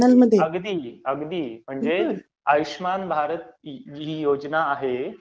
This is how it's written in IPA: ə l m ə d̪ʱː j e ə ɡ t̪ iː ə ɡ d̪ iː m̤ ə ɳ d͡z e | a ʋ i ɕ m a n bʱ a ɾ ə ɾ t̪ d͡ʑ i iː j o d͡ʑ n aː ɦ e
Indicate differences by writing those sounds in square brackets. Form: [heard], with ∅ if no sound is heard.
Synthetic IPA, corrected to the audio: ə l m ə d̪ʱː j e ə ɡ [d̪] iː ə ɡ d̪ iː m̤ ə ɳ d͡z e | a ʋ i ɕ m a n bʱ a ɾ ə [∅] t̪ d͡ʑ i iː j o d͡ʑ n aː ɦ e